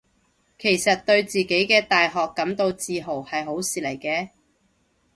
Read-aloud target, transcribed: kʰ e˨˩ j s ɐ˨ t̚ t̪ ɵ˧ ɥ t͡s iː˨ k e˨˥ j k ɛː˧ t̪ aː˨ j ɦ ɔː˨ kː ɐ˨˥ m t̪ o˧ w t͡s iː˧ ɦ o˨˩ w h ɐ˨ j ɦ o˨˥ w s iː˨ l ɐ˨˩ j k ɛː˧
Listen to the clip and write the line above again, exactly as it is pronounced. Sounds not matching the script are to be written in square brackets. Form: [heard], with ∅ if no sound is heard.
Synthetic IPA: kʰ e˨˩ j s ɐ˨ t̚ t̪ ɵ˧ ɥ t͡s iː˨ k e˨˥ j k ɛː˧ t̪ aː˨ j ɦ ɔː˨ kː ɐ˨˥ m t̪ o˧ w t͡s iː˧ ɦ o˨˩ w h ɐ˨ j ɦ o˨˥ w s iː˨ l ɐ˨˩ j k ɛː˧